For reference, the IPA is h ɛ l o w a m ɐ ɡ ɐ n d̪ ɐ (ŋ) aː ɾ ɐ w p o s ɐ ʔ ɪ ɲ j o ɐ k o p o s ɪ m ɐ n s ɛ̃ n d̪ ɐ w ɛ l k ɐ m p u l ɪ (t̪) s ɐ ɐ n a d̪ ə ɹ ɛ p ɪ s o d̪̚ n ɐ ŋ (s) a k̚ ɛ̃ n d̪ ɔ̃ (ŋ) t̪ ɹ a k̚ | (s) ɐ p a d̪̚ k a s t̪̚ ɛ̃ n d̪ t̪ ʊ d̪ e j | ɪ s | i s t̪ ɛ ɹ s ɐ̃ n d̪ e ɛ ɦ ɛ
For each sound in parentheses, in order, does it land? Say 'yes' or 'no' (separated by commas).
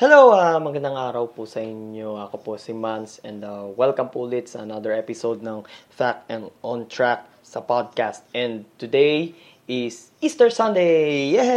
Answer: yes, yes, no, no, yes